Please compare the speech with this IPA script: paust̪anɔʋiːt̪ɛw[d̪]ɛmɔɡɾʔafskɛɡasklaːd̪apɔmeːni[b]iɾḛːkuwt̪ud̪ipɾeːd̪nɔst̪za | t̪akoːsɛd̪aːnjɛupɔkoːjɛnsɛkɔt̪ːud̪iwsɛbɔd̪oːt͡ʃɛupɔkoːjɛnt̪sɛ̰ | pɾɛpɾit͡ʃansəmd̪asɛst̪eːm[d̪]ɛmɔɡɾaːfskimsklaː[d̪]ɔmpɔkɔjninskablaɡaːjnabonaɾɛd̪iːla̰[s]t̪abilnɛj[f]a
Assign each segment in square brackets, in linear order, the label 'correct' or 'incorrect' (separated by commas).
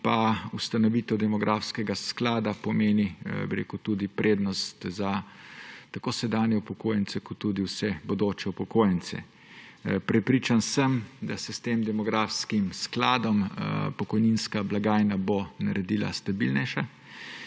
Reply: correct, correct, correct, correct, correct, incorrect